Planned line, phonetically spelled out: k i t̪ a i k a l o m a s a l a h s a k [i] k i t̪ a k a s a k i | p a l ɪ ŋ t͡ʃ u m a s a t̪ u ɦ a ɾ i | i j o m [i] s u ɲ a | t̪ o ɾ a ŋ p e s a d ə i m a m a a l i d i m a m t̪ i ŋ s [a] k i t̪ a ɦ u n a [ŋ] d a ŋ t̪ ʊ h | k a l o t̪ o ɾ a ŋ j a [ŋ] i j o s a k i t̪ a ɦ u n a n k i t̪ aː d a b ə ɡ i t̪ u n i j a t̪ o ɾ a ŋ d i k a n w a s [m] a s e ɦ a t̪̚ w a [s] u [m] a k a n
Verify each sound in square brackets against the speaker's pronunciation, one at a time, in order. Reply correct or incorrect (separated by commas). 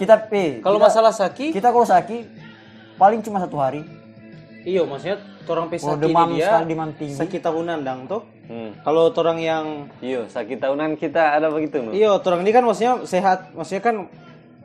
correct, incorrect, correct, incorrect, correct, incorrect, correct, incorrect